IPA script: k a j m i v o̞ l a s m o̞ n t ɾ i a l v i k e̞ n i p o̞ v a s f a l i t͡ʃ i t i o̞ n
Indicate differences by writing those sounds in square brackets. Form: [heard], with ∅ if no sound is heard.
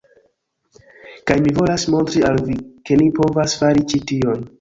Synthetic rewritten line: k a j m i v o̞ l a s m o̞ n t ɾ i a l v i k e̞ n i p o̞ v a s f a [ɾ] i t͡ʃ i t i o̞ n